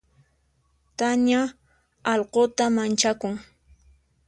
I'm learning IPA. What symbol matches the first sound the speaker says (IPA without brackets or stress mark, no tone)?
t̪